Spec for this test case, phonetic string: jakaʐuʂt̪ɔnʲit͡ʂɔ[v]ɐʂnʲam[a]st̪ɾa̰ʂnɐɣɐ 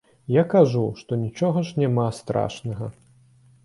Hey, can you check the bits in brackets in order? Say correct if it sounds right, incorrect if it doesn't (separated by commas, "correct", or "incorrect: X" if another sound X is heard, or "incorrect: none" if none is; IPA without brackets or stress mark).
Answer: incorrect: ɣ, correct